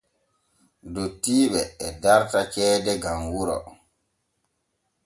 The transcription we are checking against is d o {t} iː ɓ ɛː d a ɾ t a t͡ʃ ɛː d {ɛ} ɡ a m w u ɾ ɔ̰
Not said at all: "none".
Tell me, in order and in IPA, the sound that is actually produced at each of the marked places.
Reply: t, ɛ

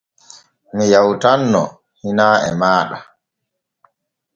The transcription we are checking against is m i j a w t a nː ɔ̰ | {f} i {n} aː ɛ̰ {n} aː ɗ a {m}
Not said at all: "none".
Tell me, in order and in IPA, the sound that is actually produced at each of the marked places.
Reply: h, n, m, none

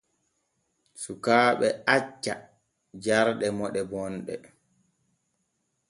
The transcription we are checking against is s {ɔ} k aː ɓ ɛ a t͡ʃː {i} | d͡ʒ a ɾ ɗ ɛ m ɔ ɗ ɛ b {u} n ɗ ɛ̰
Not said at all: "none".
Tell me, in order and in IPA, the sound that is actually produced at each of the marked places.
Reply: u, a, ɔ

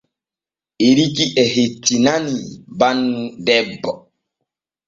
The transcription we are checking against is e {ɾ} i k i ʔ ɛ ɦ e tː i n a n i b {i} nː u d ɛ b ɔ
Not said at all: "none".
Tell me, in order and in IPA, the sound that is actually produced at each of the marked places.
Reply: ɾ, a

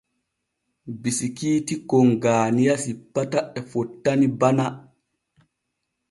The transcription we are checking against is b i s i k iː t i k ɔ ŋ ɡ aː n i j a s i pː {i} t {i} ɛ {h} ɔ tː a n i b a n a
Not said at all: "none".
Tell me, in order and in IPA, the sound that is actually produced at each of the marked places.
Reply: a, a, f

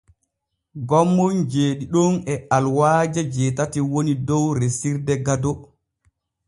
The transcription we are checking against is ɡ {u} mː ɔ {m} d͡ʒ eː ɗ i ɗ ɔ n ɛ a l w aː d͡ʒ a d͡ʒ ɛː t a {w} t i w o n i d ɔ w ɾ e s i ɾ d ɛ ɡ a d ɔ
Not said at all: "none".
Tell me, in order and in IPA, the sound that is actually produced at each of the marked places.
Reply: ɔ, n, none

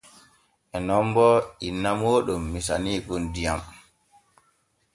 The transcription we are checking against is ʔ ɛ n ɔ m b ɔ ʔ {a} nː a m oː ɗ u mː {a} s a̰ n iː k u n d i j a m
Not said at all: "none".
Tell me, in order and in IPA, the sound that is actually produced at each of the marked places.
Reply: i, i

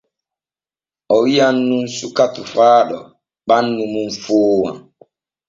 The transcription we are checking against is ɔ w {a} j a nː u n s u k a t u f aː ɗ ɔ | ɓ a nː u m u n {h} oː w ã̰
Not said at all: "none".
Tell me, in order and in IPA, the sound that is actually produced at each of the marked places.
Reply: i, f

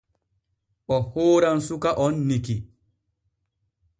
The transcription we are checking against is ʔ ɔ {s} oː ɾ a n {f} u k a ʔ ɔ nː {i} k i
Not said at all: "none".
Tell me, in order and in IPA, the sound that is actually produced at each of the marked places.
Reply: h, s, i

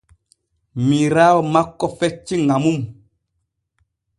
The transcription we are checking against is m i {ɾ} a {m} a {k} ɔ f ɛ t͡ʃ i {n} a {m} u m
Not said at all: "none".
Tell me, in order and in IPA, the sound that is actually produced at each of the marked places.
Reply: ɾ, m, k, ŋ, m

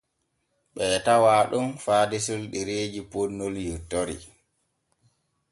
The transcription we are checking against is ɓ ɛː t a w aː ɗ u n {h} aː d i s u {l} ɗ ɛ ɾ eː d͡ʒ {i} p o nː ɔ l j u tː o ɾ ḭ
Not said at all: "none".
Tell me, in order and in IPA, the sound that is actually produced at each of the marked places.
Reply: f, l, i

